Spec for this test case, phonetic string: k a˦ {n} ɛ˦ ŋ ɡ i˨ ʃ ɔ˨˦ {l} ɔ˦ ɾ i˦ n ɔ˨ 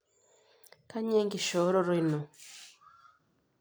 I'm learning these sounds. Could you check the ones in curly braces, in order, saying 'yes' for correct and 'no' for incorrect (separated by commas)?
no, no